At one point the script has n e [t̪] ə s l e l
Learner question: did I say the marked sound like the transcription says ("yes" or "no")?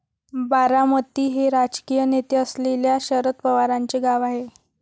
yes